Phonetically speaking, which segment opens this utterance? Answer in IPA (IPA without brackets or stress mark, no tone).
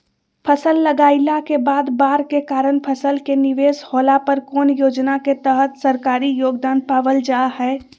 pʰ